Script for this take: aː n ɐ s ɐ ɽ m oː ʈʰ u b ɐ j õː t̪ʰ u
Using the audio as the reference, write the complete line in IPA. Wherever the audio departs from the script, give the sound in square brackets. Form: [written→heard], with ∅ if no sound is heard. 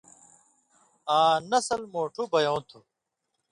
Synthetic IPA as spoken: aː n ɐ s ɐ [ɽ→l] m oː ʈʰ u b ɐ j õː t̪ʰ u